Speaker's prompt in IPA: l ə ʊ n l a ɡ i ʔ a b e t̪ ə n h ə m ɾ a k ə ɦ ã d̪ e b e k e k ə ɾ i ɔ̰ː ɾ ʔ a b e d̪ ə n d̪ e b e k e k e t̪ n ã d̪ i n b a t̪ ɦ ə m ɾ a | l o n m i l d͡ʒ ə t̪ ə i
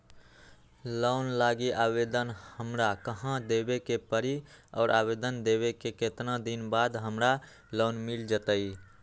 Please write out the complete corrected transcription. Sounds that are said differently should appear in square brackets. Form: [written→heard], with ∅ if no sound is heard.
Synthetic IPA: l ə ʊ n l a ɡ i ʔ a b e [t̪→d̪] ə n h ə m ɾ a k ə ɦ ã d̪ e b e k e [k→p] ə ɾ i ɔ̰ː ɾ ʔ a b e d̪ ə n d̪ e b e k e k e t̪ n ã d̪ i n b a [t̪→d̪] ɦ ə m ɾ a | l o n m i l d͡ʒ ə t̪ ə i